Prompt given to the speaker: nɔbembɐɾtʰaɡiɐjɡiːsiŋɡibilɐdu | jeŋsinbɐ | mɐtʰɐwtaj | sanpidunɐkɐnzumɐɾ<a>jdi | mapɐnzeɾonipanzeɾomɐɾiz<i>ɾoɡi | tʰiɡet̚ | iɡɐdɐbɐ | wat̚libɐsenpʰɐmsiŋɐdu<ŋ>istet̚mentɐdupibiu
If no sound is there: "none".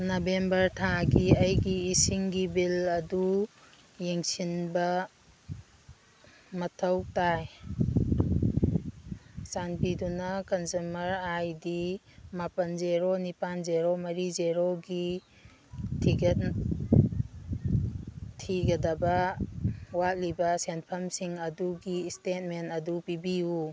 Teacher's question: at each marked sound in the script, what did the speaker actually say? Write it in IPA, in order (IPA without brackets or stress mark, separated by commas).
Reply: a, e, ɡ